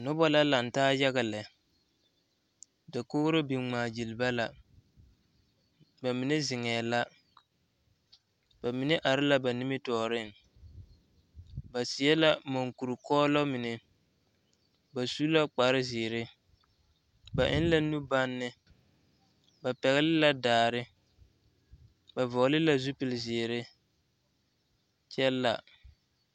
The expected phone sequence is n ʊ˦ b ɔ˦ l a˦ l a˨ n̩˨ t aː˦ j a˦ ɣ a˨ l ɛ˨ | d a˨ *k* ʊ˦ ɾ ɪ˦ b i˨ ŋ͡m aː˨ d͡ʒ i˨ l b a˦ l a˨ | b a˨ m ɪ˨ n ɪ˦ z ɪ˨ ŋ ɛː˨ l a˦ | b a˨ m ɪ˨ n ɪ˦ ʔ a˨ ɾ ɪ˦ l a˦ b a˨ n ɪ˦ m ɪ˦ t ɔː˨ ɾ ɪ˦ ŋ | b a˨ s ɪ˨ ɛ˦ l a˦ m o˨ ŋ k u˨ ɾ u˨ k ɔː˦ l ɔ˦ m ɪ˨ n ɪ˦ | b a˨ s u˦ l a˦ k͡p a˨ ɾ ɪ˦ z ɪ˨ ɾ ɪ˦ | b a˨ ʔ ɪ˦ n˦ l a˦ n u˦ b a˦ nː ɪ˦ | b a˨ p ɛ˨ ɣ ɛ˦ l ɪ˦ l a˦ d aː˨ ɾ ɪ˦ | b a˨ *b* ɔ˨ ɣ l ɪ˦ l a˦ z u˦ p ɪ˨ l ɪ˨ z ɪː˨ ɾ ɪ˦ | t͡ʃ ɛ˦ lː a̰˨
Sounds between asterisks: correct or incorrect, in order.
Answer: correct, incorrect

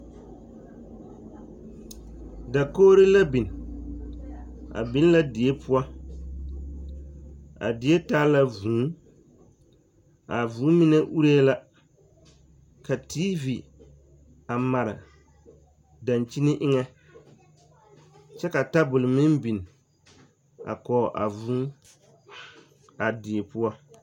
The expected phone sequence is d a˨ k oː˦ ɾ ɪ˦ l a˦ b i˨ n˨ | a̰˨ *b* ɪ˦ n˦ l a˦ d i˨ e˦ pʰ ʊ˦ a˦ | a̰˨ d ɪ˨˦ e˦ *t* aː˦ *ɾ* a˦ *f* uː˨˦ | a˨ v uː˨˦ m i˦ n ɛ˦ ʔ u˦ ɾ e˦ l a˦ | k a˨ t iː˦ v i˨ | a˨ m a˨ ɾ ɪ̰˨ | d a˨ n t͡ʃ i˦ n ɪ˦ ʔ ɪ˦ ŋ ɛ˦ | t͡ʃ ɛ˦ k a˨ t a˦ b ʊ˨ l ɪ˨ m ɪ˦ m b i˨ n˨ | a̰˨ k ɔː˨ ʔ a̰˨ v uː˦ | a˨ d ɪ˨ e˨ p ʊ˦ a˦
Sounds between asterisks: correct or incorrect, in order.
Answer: correct, correct, incorrect, incorrect

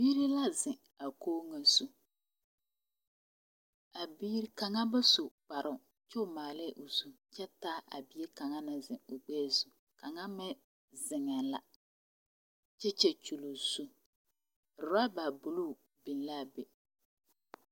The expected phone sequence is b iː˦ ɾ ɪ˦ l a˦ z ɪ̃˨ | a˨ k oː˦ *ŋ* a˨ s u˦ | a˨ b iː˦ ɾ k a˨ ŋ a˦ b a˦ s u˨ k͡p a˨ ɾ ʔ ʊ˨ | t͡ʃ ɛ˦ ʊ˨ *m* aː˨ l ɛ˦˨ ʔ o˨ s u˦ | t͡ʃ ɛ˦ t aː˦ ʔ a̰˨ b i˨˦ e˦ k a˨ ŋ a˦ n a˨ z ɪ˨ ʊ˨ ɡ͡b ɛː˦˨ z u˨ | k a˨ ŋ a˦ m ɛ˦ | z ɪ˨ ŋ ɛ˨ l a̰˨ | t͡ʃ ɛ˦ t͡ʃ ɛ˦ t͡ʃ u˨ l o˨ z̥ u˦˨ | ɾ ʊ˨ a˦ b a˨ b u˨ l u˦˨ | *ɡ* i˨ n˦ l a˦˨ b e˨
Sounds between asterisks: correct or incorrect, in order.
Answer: correct, correct, incorrect

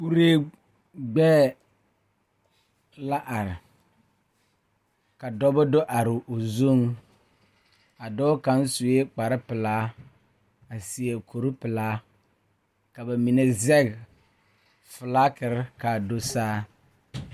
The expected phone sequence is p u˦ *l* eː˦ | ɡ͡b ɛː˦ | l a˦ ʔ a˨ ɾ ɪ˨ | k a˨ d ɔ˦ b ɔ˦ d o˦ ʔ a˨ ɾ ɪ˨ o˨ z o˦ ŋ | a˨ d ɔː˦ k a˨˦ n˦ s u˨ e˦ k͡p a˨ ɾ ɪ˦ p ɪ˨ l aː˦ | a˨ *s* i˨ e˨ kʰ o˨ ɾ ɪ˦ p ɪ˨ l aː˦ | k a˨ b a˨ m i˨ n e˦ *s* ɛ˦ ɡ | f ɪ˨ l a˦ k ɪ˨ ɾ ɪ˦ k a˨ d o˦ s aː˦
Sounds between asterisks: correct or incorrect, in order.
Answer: incorrect, correct, incorrect

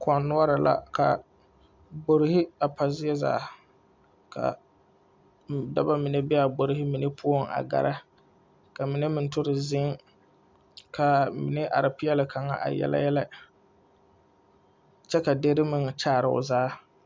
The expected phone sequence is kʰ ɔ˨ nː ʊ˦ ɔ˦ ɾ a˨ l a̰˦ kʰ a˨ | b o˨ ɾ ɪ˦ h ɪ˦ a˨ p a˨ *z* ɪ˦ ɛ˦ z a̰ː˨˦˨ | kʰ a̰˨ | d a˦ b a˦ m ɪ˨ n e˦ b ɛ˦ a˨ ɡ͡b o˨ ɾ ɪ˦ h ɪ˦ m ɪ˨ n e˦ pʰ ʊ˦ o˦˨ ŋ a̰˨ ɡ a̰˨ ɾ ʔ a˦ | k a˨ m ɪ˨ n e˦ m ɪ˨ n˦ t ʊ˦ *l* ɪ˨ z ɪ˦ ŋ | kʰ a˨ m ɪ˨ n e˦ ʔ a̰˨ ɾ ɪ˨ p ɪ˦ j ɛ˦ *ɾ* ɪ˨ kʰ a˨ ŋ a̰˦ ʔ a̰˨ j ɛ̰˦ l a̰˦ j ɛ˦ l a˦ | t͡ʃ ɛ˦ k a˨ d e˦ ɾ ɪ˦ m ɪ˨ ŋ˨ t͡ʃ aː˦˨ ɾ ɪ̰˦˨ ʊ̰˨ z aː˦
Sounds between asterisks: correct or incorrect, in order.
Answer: correct, incorrect, incorrect

